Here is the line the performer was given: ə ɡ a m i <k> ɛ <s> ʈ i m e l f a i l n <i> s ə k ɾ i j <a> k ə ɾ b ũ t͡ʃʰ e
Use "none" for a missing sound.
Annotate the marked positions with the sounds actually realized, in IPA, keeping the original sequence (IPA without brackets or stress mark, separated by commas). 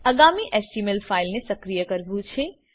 ʔ, s, e, ə